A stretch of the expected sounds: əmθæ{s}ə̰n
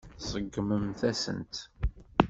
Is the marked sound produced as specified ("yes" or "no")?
yes